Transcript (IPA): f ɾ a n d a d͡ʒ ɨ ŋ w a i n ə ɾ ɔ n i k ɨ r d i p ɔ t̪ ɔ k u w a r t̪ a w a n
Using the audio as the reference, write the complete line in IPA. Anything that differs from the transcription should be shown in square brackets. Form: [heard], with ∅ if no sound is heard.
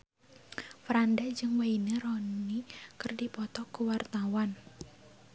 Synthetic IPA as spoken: f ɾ a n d a d͡ʒ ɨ ŋ w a i n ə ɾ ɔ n i k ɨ r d i p ɔ t̪ ɔ k u w a r t̪ a w a n